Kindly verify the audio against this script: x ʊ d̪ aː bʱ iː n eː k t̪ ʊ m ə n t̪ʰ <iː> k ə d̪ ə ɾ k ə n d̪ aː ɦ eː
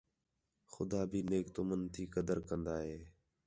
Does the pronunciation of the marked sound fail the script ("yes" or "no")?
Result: no